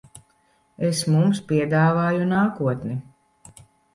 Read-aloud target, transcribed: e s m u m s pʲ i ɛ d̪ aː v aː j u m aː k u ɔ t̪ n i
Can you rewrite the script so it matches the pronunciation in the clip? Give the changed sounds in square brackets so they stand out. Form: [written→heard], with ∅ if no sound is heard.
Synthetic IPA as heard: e s m u m s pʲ i ɛ d̪ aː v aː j u [m→n] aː k u ɔ t̪ n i